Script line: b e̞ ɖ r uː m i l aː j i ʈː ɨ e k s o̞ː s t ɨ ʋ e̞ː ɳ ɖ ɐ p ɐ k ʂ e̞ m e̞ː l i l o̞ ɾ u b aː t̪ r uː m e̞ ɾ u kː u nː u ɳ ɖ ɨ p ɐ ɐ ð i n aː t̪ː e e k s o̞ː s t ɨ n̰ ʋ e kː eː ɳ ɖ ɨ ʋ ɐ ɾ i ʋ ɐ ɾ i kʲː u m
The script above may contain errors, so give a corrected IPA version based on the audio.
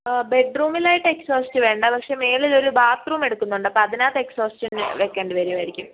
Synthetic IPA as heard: b e̞ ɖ r uː m i l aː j i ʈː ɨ e k s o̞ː s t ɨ ʋ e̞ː ɳ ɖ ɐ p ɐ k ʂ e̞ m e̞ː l i l o̞ ɾ u b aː t̪ r uː m e̞ ɽ u kː u nː u ɳ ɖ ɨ p ɐ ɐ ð i n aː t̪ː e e k s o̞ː s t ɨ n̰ ʋ e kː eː ɳ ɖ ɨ ʋ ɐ ɾ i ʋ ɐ ɾ i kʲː u m